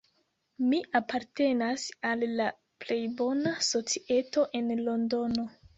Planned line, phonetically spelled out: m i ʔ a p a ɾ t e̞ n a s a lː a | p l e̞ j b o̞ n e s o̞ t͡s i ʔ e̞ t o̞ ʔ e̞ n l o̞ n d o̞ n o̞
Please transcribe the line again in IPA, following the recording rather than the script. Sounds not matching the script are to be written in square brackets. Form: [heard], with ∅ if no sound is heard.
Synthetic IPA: m i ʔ a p a ɾ t e̞ n a s a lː a | p l e̞ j b o̞ n [a] s o̞ t͡s i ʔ e̞ t o̞ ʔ e̞ n l o̞ n d o̞ n o̞